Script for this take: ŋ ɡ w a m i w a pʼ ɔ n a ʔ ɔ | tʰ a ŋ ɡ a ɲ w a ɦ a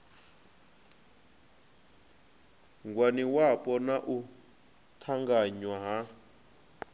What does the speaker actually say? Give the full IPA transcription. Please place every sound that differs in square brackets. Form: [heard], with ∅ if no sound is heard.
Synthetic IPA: ŋ ɡ w a [n] i w a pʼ ɔ n a ʔ [u] | tʰ a ŋ ɡ a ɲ w a ɦ a